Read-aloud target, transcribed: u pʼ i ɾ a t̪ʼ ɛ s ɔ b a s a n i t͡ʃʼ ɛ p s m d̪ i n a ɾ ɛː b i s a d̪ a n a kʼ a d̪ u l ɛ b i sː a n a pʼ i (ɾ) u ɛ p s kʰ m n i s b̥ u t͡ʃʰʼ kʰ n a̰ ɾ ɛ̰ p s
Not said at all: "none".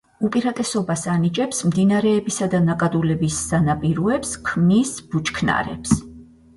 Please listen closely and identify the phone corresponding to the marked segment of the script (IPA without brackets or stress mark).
ɾ